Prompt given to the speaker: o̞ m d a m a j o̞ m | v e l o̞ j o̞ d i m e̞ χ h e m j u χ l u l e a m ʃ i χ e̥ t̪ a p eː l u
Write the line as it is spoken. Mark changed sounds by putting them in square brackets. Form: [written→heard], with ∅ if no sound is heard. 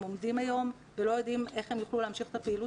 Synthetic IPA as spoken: o̞ m d [a→i] m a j o̞ m | v e l o̞ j o̞ d i m e̞ χ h e m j u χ l u l e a m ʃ i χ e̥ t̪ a p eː l u